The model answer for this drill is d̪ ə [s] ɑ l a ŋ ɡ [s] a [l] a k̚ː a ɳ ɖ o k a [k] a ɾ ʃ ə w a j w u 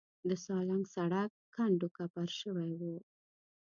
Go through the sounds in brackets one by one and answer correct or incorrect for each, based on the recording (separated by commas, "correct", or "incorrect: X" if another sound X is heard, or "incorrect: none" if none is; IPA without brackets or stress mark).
correct, correct, incorrect: ɽ, incorrect: p